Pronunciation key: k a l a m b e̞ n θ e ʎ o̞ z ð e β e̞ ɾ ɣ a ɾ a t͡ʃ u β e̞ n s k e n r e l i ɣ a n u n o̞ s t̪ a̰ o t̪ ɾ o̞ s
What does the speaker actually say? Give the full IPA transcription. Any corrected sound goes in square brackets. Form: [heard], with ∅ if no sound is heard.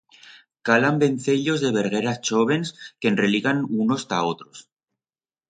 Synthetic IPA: k a l a m b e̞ n θ e ʎ o̞ z ð e β e̞ ɾ ɣ [e] ɾ a t͡ʃ [o] β e̞ n s k e n r e l i ɣ a n u n o̞ s t̪ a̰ o t̪ ɾ o̞ s

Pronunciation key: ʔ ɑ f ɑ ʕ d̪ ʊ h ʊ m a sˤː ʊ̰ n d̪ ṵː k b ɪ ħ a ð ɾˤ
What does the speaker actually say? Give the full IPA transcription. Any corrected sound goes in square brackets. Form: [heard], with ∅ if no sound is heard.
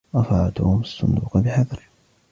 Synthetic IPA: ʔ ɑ f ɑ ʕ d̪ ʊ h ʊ m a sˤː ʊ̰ n d̪ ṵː [q] b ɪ ħ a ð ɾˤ

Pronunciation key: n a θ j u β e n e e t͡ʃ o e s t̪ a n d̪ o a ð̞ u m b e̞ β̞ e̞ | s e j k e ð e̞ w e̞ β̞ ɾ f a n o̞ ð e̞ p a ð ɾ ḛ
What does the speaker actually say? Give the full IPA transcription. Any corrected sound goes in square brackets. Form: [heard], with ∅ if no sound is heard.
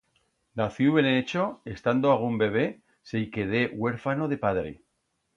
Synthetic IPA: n a θ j u β e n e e t͡ʃ o e s t̪ a n d̪ o a [ɣ̞] u m b e̞ β̞ e̞ | s e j k e ð e̞ w e̞ [∅] ɾ f a n o̞ ð e̞ p a ð ɾ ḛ

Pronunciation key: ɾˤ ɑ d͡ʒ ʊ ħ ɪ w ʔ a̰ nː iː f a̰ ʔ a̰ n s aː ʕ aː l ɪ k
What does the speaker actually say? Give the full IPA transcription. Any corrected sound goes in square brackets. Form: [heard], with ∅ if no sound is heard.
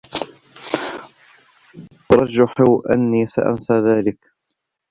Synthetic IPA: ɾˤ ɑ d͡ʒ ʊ ħ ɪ w ʔ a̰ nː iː [s] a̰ ʔ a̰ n s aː [ð] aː l ɪ k

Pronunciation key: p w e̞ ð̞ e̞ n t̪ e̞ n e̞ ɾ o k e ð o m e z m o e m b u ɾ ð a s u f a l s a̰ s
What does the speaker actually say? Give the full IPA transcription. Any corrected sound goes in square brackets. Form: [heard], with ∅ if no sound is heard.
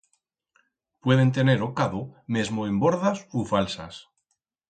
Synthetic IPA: p w e̞ ð̞ e̞ n t̪ e̞ n e̞ ɾ o k [a] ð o m e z m o e m b [o] ɾ ð a s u f a l s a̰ s

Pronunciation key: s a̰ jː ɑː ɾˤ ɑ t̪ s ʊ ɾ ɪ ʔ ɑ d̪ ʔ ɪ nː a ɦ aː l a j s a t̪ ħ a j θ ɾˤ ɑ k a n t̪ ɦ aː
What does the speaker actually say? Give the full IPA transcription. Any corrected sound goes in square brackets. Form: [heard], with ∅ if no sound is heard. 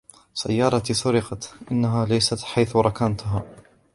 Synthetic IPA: s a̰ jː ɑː ɾˤ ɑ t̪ s ʊ ɾ ɪ [q] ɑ [t̪] ʔ ɪ nː a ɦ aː l a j s a t̪ ħ a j θ ɾˤ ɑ k a n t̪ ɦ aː

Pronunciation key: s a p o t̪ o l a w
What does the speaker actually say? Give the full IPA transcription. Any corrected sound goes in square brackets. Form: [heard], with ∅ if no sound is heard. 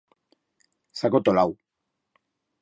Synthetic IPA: s a [k] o t̪ o l a w

